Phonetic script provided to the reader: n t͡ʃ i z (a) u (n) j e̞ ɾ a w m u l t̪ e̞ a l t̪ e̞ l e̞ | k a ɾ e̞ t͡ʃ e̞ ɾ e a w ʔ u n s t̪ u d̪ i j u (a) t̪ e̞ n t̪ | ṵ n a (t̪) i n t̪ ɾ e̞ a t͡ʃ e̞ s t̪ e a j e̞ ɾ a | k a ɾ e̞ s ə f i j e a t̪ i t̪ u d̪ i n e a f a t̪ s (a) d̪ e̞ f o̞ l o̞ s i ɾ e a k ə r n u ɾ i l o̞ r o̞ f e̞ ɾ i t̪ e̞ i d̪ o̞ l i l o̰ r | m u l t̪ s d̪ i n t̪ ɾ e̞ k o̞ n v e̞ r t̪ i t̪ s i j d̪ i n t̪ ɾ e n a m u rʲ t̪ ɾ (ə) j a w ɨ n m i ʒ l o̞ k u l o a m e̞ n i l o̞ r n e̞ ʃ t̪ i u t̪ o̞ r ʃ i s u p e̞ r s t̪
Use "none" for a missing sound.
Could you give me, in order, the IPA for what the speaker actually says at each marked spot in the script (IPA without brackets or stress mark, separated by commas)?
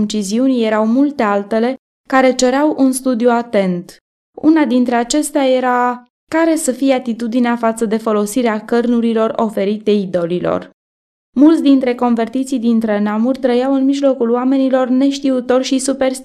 i, n, a, d̪, ə, ə